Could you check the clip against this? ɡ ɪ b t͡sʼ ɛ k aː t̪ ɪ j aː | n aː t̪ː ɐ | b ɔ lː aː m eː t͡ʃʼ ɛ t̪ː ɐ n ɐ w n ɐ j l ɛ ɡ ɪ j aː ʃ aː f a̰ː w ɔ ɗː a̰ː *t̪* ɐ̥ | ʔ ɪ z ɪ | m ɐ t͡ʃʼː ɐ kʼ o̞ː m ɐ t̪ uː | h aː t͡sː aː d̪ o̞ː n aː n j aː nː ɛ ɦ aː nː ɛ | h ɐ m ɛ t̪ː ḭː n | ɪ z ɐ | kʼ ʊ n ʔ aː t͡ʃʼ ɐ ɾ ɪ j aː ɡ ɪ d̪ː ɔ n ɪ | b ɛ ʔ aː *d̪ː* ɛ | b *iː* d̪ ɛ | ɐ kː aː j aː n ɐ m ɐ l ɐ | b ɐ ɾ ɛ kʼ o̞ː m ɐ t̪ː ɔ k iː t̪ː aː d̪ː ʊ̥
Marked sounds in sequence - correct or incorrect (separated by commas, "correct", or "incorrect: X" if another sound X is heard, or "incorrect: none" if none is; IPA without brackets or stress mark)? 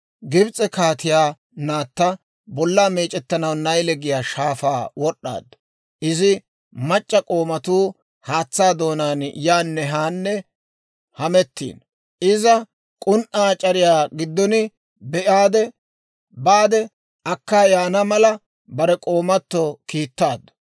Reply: incorrect: d̪, incorrect: d̪, incorrect: aː